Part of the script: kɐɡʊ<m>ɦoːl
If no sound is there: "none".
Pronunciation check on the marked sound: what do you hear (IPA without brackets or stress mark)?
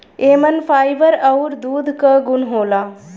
n